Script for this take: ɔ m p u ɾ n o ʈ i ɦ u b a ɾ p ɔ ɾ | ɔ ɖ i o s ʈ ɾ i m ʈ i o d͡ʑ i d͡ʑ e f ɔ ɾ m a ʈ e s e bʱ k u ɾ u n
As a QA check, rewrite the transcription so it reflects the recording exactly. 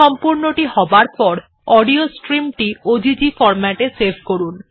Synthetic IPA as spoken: ɔ m p u ɾ n o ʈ i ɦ ɔ b a ɾ p ɔ ɾ | ɔ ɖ i o s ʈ ɾ i m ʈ i o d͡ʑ i d͡ʑ i f ɔ ɾ m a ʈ e s e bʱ k o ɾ u n